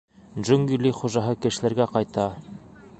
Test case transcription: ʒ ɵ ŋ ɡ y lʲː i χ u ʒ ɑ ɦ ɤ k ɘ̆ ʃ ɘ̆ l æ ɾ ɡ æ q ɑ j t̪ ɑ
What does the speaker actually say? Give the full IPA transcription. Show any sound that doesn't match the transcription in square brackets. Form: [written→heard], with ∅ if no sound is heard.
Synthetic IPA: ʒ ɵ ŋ ɡ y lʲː i χ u ʒ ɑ ɦ ɤ k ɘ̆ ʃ ɘ̆ l æ ɾ ɡ æ q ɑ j t̪ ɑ